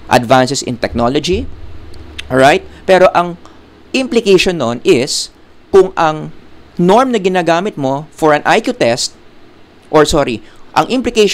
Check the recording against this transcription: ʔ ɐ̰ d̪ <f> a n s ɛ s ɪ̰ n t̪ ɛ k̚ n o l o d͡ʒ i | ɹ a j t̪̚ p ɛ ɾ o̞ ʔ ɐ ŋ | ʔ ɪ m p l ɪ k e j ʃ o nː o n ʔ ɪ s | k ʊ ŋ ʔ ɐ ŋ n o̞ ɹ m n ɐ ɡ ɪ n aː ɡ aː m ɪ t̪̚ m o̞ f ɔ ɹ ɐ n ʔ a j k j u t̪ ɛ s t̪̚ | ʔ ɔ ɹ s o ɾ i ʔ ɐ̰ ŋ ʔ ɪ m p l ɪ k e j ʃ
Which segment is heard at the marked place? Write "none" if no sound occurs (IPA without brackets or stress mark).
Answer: v